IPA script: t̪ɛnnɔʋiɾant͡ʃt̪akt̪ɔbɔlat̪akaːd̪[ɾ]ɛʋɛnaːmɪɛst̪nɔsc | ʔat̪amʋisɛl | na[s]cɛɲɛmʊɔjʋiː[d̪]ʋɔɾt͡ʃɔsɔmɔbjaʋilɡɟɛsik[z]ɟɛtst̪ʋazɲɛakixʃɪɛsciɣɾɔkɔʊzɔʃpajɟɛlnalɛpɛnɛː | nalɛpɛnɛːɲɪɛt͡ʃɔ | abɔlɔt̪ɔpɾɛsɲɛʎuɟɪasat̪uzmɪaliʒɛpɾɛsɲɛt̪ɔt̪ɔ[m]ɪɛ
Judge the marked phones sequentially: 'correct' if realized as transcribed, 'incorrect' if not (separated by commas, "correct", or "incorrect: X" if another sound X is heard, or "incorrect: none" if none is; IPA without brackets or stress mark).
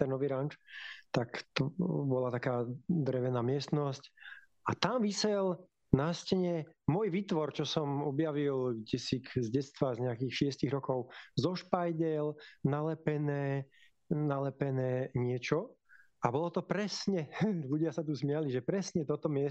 correct, correct, incorrect: t̪, correct, correct